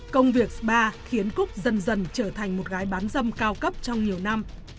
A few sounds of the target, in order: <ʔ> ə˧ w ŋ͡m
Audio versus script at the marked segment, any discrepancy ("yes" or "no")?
yes